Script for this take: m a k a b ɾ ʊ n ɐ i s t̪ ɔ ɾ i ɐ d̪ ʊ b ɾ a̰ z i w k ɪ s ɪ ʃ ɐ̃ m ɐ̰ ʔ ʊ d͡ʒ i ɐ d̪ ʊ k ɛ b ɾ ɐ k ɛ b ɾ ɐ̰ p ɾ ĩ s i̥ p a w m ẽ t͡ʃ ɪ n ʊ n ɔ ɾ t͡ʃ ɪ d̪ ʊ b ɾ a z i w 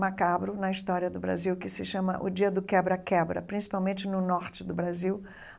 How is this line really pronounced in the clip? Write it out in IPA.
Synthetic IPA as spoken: m a k a b ɾ ʊ n ɐ i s t̪ ɔ ɾ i ɐ d̪ ʊ b ɾ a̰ z i w k ɪ s ɪ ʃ ɐ̃ m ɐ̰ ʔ ʊ d͡ʒ i ɐ d̪ ʊ k ɛ b ɾ ɐ k ɛ b ɾ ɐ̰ p ɾ ĩ s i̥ p a w m ẽ t͡ʃ ɪ n ʊ n ɔ ɾ t͡ʃ ɪ d̪ ʊ b ɾ a z i w